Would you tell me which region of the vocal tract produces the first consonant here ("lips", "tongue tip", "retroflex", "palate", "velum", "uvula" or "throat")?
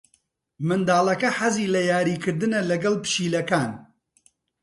lips